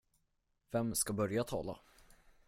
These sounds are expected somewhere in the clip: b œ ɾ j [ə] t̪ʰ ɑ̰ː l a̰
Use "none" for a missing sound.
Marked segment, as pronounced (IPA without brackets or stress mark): a